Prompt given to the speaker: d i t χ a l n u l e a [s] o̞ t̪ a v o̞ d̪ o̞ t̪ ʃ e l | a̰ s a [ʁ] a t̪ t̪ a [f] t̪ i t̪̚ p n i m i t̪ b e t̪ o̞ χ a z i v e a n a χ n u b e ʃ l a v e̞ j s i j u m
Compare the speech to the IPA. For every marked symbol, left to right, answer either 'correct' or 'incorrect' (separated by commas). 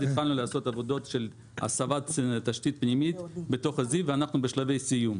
correct, incorrect, incorrect